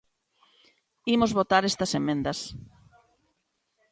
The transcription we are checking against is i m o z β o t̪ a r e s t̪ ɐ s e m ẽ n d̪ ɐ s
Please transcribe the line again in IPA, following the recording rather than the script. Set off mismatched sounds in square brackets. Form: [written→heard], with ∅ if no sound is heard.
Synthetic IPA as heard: i m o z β o t̪ a [r→ɾ] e s t̪ ɐ s e m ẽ n d̪ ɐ s